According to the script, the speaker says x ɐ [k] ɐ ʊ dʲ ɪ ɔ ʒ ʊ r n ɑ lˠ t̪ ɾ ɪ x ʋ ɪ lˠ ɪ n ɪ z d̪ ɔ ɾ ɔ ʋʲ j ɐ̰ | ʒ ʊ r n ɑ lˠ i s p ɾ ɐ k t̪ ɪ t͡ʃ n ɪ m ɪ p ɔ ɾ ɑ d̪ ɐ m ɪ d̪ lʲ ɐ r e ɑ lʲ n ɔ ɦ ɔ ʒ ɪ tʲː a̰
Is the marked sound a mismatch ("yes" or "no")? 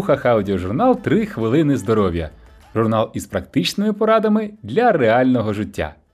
yes